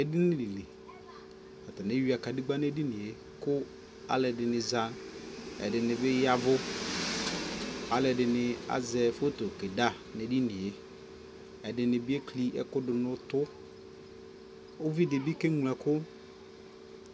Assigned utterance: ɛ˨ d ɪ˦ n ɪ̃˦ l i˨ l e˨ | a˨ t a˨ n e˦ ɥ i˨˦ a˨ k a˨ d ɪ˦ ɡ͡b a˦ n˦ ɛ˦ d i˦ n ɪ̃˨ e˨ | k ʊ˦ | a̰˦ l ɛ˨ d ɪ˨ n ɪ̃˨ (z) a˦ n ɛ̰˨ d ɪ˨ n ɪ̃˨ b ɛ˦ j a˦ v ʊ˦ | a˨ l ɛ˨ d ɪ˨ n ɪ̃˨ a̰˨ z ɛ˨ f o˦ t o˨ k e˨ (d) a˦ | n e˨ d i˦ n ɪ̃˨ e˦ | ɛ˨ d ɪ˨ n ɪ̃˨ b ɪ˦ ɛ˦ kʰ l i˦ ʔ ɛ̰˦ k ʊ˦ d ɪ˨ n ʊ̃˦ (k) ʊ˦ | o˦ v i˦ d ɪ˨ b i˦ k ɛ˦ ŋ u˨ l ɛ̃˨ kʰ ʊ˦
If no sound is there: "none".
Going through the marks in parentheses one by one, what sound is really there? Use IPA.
z, d, t

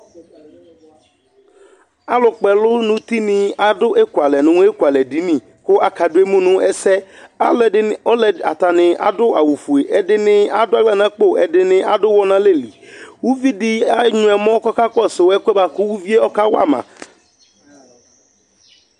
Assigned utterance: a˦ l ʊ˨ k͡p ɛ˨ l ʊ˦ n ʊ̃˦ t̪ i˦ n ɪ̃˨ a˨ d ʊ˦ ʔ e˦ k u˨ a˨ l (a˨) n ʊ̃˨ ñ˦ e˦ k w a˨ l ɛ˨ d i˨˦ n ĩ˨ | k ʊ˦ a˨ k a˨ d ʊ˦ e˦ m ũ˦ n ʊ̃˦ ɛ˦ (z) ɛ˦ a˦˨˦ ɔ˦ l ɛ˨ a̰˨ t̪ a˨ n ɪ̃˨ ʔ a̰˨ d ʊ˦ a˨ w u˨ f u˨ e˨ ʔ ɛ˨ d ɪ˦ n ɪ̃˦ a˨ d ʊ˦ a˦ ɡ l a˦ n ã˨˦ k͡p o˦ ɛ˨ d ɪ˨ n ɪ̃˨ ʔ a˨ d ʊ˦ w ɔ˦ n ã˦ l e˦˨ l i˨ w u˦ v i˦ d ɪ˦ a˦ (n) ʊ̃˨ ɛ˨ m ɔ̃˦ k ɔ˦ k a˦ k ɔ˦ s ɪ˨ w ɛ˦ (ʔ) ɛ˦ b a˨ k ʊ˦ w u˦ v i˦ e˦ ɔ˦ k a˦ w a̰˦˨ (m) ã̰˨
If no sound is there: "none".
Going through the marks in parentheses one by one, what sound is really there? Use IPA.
ɛ˨, s, ɲ, k, m

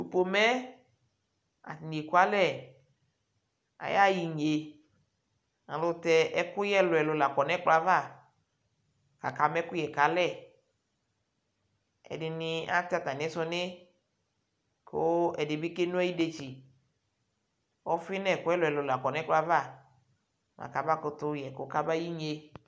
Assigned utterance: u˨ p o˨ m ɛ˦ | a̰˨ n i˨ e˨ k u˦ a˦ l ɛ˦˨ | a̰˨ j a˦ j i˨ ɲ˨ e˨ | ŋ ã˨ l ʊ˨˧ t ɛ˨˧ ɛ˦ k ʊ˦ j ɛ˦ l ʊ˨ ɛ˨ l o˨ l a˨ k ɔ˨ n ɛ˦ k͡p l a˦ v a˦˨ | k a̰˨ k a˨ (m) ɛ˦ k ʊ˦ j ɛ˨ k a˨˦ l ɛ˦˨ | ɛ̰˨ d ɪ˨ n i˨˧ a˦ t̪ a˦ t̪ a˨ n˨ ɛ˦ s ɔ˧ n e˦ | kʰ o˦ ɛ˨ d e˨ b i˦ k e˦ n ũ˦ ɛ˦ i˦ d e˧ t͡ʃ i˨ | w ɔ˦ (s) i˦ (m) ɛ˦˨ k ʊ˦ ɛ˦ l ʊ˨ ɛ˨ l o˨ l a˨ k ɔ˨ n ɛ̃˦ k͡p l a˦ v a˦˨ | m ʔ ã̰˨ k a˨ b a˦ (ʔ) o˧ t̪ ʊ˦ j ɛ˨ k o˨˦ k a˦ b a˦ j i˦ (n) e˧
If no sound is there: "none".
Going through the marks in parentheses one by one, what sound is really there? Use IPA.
m, f, n, k, ɲ

